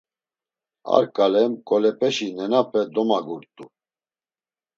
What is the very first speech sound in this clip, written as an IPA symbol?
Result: a̰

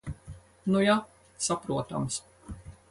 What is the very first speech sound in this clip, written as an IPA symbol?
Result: n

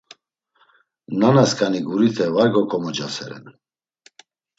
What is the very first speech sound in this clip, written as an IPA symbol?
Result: n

